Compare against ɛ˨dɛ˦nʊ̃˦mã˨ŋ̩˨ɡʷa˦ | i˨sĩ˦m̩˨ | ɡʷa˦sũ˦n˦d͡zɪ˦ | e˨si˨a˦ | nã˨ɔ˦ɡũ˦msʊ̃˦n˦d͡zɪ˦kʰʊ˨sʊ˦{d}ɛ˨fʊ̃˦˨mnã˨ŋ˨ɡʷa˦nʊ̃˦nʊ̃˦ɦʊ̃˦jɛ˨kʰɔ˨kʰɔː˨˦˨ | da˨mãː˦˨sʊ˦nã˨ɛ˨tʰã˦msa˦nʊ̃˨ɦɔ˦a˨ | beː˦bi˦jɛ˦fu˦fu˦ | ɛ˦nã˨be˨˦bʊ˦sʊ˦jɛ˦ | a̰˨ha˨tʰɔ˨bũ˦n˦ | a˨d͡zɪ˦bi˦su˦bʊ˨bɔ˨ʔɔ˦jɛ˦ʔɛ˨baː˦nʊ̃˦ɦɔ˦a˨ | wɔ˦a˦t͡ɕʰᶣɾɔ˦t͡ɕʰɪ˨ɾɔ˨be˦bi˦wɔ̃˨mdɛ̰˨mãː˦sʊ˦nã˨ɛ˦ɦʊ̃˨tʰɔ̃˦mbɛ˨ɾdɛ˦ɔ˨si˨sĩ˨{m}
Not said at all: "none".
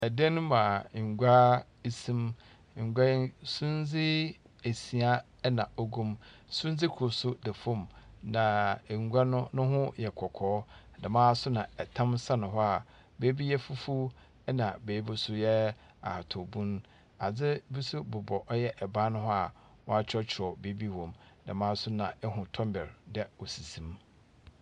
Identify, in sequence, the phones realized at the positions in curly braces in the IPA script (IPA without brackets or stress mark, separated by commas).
d, m